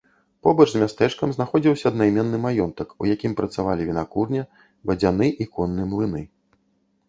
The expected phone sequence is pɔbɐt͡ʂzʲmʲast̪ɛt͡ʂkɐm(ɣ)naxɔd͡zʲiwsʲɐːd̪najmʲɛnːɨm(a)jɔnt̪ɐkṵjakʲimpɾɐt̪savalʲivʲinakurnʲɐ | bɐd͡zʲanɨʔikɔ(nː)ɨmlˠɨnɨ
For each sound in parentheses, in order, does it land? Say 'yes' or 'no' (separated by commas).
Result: no, yes, yes